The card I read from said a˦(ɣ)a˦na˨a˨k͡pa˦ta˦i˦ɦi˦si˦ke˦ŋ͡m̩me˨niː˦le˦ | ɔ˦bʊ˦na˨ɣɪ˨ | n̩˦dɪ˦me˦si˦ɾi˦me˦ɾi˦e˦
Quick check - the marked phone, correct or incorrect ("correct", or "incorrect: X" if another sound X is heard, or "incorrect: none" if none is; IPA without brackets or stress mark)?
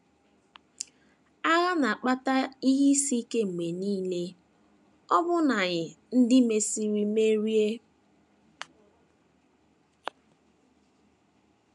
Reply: correct